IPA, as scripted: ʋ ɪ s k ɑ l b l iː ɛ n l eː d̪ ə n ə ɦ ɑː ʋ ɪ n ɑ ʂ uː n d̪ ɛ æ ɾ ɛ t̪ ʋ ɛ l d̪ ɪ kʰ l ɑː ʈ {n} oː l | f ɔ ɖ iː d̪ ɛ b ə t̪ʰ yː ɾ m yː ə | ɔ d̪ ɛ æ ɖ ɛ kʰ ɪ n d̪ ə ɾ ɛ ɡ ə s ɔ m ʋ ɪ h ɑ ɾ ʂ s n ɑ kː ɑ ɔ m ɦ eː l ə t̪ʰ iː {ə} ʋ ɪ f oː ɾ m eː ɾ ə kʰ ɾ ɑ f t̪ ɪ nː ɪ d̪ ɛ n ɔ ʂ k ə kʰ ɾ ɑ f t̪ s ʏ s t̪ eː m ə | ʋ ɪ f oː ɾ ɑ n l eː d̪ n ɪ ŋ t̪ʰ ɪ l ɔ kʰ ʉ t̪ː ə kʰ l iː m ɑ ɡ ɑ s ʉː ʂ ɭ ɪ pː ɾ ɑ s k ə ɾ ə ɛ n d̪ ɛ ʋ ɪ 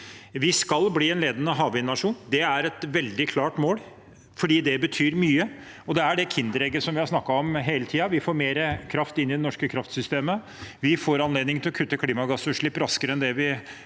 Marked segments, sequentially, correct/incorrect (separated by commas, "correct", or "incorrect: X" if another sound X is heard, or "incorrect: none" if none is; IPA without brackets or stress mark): incorrect: m, incorrect: ɑ